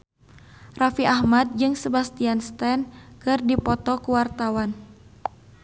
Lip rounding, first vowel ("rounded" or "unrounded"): unrounded